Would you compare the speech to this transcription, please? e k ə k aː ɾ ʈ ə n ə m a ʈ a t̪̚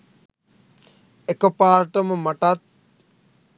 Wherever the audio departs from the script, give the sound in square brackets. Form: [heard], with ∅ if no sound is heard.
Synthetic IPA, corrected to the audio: e k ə [p] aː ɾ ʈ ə [m] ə m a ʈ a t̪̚